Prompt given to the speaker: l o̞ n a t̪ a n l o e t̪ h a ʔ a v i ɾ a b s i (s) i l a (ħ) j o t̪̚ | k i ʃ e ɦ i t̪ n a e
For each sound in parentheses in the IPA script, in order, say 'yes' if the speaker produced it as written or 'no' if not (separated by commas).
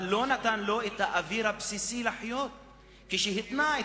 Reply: yes, yes